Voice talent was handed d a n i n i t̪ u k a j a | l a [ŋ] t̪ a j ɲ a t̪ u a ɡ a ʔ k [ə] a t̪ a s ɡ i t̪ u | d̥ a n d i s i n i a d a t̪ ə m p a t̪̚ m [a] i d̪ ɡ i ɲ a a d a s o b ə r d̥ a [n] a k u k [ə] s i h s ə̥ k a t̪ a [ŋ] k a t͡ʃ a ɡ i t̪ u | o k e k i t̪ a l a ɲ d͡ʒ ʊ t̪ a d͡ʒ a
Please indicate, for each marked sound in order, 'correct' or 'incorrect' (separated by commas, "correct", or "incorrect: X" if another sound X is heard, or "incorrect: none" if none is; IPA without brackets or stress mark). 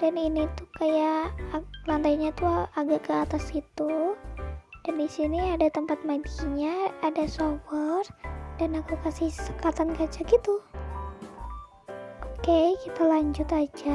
incorrect: n, correct, correct, correct, incorrect: a, incorrect: n